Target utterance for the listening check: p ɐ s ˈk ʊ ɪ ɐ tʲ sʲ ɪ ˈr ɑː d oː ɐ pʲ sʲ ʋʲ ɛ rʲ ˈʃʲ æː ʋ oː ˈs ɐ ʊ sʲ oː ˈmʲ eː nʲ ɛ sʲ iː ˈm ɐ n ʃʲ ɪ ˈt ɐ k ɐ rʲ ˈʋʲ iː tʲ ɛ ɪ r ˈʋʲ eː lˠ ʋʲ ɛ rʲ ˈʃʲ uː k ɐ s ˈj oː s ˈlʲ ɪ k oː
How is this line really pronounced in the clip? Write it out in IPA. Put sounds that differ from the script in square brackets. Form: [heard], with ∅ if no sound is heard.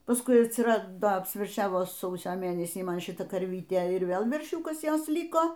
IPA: p ɐ s ˈk ʊ ɪ ɐ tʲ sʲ ɪ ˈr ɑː d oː ɐ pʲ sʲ ʋʲ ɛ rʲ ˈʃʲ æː ʋ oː ˈs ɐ ʊ sʲ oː ˈmʲ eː nʲ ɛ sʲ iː ˈm ɐ n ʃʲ ɪ ˈt ɐ k ɐ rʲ ˈʋʲ iː tʲ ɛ ɪ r ˈʋʲ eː lˠ ʋʲ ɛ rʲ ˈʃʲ uː k ɐ s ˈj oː s ˈlʲ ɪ k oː

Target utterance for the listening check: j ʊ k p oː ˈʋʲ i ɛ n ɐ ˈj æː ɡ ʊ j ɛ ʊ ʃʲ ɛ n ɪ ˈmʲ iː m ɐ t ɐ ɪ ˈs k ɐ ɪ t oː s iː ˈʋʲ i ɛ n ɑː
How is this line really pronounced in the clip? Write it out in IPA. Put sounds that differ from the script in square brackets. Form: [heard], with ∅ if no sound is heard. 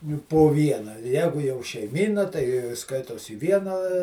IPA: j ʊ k p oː ˈʋʲ i ɛ n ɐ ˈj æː ɡ ʊ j ɛ ʊ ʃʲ ɛ [∅] ɪ ˈmʲ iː [n] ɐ t ɐ ɪ ˈs k ɐ ɪ t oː s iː ˈʋʲ i ɛ n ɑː

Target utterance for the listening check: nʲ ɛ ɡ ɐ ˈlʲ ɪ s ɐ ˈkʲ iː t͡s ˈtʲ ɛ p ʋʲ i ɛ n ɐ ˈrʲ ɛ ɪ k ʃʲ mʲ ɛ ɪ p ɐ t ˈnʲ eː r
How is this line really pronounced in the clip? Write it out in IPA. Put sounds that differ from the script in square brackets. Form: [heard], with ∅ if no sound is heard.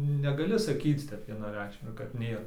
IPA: nʲ ɛ ɡ ɐ ˈlʲ ɪ s ɐ ˈkʲ iː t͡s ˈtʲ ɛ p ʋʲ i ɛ n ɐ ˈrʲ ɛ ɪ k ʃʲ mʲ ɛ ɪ [k] ɐ t ˈnʲ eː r

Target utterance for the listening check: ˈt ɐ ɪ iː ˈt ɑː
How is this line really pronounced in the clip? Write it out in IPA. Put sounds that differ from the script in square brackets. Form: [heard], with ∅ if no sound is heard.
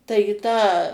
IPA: ˈt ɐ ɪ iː ˈt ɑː

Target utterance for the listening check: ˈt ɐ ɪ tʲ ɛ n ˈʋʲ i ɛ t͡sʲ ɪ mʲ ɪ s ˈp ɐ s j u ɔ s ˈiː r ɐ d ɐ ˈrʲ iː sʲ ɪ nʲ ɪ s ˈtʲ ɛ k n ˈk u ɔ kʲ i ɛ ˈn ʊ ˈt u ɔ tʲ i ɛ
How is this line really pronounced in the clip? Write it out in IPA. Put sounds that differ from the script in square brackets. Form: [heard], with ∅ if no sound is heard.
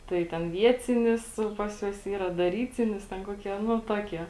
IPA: ˈt ɐ ɪ tʲ ɛ n ˈʋʲ i ɛ t͡sʲ ɪ [nʲ] ɪ s ˈp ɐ s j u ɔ s ˈiː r ɐ d ɐ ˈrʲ iː [t͡sʲ] ɪ nʲ ɪ s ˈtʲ ɛ [∅] n ˈk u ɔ kʲ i ɛ ˈn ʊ ˈt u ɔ [kʲ] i ɛ

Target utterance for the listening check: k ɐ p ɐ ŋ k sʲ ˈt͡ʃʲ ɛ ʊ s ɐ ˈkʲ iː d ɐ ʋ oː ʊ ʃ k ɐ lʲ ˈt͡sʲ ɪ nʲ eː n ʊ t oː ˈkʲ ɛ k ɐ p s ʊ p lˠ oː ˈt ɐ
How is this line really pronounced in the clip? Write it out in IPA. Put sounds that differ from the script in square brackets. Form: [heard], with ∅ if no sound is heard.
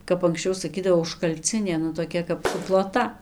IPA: k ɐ p ɐ ŋ k sʲ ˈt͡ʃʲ ɛ ʊ s ɐ ˈkʲ iː d ɐ ʋ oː ʊ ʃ k ɐ lʲ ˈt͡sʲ ɪ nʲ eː n ʊ t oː ˈkʲ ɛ k ɐ p s ʊ p lˠ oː ˈt ɐ

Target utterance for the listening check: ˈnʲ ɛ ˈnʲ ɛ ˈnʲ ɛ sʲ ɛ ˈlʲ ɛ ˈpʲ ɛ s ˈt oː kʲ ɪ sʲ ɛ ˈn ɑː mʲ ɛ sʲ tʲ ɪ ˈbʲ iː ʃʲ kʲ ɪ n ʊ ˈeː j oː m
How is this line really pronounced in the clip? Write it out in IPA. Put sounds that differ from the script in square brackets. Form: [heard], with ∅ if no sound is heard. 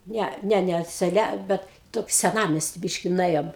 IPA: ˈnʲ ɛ ˈnʲ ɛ ˈnʲ ɛ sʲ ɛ ˈlʲ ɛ [ˈbʲ] ɛ [t] ˈt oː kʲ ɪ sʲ ɛ ˈn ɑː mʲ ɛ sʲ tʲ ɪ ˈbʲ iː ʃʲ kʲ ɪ n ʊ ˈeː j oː m

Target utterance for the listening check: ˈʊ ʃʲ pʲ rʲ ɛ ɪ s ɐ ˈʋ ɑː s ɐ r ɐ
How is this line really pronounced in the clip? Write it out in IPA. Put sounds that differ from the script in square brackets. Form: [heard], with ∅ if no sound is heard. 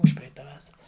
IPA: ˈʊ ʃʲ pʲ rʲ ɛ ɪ [t] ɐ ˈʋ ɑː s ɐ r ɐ

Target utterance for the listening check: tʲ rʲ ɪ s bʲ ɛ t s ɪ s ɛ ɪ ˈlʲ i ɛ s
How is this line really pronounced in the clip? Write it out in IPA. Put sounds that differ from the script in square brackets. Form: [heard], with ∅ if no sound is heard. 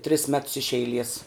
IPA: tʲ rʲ ɪ s [mʲ] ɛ t s ɪ [ʃ] ɛ ɪ ˈlʲ i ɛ s

